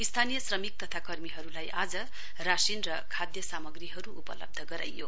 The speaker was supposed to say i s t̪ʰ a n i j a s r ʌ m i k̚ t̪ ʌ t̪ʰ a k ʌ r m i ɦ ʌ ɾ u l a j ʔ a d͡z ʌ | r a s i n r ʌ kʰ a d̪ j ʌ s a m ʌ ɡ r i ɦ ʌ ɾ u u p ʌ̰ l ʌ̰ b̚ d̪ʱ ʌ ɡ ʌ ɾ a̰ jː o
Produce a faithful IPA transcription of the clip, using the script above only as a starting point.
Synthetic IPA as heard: i s t̪ʰ a n i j ʌ s r ʌ m i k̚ t̪ ʌ t̪ʰ a k ʌ r m i ɦ ʌ ɾ u l a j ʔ a d͡z ʌ | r a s i n r ʌ kʰ a d̪ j ʌ s a m ʌ ɡ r i ɦ ʌ ɾ u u p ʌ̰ l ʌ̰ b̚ d̪ʱ ʌ ɡ ʌ ɾ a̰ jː o